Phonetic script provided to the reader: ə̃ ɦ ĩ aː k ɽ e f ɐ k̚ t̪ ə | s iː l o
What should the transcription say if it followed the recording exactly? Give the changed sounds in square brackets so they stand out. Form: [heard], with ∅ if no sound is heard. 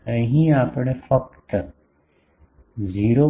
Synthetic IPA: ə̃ ɦ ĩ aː [p] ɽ e f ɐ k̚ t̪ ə | [z] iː [ɾ] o